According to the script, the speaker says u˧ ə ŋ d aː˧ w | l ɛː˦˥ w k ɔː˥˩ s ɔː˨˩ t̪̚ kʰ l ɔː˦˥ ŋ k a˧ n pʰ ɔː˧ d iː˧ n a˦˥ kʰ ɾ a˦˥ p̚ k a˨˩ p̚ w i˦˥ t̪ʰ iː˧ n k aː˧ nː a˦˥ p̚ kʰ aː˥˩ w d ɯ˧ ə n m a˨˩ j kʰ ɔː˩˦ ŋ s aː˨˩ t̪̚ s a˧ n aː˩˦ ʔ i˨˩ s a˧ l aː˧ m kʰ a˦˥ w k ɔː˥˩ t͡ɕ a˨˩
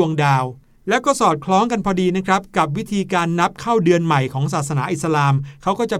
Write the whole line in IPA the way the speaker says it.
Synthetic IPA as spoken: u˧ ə ŋ d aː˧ w | l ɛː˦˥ w k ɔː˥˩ s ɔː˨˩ t̪̚ kʰ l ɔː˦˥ ŋ k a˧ n pʰ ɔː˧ d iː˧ n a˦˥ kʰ ɾ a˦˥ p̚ k a˨˩ p̚ w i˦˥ t̪ʰ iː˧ k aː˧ nː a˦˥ p̚ kʰ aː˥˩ w d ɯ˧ ə n m a˨˩ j kʰ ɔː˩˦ ŋ s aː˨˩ t̪̚ s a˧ n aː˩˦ ʔ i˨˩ s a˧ l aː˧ m kʰ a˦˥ w k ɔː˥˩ t͡ɕ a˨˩